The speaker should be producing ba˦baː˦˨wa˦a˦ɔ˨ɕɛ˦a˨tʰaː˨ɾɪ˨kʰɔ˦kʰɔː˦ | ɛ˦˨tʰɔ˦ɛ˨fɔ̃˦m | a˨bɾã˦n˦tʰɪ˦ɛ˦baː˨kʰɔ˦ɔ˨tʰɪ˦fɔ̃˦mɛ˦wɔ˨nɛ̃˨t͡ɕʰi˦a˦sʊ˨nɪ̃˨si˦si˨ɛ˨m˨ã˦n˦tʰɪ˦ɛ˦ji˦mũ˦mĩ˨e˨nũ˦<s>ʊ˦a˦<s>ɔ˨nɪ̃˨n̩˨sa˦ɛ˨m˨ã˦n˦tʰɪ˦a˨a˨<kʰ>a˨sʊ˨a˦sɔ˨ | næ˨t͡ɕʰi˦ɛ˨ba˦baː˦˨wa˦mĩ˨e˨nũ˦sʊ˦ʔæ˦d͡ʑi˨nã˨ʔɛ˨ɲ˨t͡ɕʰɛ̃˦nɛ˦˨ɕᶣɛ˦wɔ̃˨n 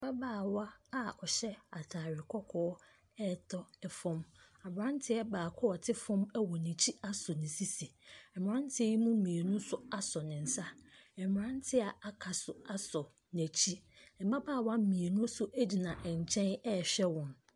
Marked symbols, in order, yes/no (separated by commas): yes, yes, yes